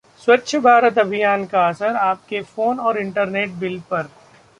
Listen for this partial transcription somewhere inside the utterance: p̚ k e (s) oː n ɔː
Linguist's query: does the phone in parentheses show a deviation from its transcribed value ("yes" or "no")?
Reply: yes